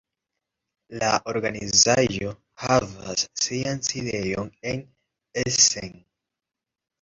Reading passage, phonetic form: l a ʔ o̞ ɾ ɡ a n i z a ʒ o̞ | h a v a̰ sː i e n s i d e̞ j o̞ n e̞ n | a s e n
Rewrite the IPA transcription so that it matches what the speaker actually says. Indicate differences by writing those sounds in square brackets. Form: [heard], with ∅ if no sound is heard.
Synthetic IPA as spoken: l a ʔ o̞ ɾ ɡ a n i z a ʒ o̞ | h a v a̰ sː i [a] n s i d e̞ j o̞ n e̞ n | [e] s e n